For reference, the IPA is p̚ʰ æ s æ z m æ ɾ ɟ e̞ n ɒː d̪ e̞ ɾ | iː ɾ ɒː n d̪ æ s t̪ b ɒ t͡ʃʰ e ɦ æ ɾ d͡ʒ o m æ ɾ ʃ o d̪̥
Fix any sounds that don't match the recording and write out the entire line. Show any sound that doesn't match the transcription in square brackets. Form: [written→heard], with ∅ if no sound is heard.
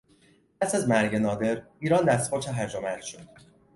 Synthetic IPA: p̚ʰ æ s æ z m æ ɾ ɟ e̞ n ɒː d̪ e̞ ɾ | iː ɾ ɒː n d̪ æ s t̪ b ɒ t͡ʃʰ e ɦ æ ɾ d͡ʒ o m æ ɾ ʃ o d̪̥